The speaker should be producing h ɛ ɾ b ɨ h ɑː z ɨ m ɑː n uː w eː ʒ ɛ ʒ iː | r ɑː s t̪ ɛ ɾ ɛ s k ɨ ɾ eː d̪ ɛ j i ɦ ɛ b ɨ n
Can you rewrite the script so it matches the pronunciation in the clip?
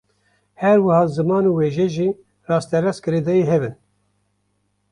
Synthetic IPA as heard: h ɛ ɾ w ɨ h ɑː z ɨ m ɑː n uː w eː ʒ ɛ ʒ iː | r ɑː s t̪ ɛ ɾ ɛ s k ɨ ɾ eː d̪ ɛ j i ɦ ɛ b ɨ n